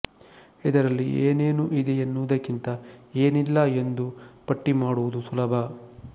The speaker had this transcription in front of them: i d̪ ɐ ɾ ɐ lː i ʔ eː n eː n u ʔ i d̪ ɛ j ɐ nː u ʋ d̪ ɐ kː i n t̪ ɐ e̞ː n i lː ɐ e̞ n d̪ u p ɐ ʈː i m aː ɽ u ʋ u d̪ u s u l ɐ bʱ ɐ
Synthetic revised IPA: i d̪ ɐ ɾ ɐ lː i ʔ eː n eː n u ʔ i d̪ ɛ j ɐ nː u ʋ d̪ ɐ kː i n t̪ ɐ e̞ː n i lː ɐ e̞ n d̪ u p ɐ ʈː i m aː ɽ u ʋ u d̪ u s u l ɐ bʱ ɐ

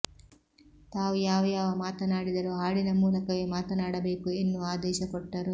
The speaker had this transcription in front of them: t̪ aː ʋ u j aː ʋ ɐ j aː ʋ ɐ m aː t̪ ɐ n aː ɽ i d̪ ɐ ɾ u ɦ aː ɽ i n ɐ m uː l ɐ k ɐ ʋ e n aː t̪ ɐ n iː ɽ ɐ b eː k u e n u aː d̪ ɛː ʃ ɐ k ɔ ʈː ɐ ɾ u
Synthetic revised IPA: t̪ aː ʋ u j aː ʋ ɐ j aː ʋ ɐ m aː t̪ ɐ n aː ɽ i d̪ ɐ ɾ u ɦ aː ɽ i n ɐ m uː l ɐ k ɐ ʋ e m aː t̪ ɐ n aː ɽ ɐ b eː k u e nː u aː d̪ ɛː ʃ ɐ k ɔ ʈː ɐ ɾ u

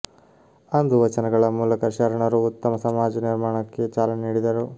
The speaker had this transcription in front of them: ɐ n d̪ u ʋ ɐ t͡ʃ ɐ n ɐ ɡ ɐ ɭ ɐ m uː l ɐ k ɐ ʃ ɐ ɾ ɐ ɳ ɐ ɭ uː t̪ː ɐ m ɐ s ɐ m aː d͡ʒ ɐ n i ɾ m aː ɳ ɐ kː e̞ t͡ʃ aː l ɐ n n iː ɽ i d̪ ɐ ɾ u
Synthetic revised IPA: ɐ n d̪ u ʋ ɐ t͡ʃ ɐ n ɐ ɡ ɐ ɭ ɐ m uː l ɐ k ɐ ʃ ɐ ɾ ɐ ɳ ɐ ɾ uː t̪ː ɐ m ɐ s ɐ m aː d͡ʒ ɐ n i ɾ m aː ɳ ɐ kː e̞ t͡ʃ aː l ɐ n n iː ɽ i d̪ ɐ ɾ u

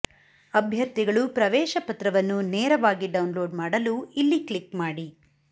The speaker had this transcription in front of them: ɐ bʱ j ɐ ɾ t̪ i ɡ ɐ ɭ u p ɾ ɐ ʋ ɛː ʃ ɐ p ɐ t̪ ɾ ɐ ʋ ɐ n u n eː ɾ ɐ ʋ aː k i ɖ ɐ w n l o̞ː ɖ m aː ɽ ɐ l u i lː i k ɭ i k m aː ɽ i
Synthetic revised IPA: ɐ bʱ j ɐ ɾ t̪ i ɡ ɐ ɭ u p ɾ ɐ ʋ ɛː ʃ ɐ p ɐ t̪ ɾ ɐ ʋ ɐ nː u n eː ɾ ɐ ʋ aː ɡ i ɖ ɐ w n l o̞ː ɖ m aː ɽ ɐ l u i lː i k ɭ i k m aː ɽ i

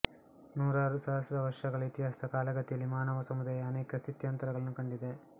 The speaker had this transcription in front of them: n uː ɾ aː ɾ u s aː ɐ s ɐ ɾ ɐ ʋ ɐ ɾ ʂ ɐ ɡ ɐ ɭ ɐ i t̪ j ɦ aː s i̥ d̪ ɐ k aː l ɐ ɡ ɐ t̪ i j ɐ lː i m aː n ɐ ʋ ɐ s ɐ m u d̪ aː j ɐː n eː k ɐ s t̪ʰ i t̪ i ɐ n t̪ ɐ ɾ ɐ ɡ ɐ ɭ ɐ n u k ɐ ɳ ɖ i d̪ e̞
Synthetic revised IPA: n uː ɾ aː ɾ u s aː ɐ s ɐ ɾ ɐ ʋ ɐ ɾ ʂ ɐ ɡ ɐ ɭ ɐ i t̪ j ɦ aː s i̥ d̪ ɐ k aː l ɐ ɡ ɐ t̪ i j ɐ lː i m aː n ɐ ʋ ɐ s ɐ m u d̪ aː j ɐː n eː k ɐ s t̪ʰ i t̪ j ɐ n t̪ ɐ ɾ ɐ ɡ ɐ ɭ ɐ n u k ɐ ɳ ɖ i d̪ e̞

